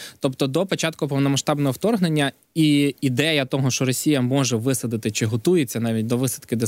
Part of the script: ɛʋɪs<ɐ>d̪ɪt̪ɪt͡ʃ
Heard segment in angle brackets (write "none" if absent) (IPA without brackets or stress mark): ɐ